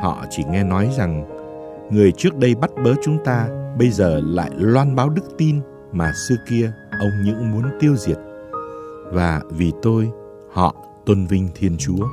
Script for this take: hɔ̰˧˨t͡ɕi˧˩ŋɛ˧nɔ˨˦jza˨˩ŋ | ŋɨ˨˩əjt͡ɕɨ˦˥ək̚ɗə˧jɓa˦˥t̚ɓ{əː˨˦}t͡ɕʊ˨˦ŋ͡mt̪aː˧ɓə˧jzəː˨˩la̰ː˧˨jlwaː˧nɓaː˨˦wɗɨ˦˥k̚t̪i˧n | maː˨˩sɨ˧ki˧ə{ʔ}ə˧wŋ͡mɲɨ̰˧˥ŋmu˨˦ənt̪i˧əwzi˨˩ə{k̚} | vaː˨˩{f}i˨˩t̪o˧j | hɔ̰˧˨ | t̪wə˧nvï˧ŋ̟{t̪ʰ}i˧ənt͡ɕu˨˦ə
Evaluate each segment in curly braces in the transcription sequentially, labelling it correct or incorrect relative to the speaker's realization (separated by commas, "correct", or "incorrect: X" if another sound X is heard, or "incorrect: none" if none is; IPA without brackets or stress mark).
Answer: correct, correct, incorrect: t̚, incorrect: v, correct